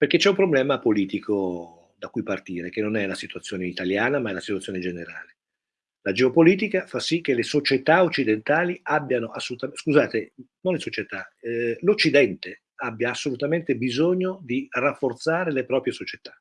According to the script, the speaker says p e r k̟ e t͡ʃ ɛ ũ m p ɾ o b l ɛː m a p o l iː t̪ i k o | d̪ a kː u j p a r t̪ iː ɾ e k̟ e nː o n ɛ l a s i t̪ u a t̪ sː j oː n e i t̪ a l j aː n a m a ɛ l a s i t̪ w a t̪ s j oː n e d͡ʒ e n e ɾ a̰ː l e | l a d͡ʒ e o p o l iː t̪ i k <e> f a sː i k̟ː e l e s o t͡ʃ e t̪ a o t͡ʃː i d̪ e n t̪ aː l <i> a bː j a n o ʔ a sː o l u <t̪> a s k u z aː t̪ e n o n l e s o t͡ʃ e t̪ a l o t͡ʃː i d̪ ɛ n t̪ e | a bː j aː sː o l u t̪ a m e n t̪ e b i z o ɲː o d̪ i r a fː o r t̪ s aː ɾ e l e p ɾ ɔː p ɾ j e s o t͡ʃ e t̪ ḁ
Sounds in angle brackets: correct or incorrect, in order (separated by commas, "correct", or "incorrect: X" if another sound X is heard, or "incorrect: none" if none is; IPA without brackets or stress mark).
incorrect: a, correct, correct